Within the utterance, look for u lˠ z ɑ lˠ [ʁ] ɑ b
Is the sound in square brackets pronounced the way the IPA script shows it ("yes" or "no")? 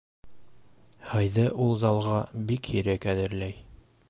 yes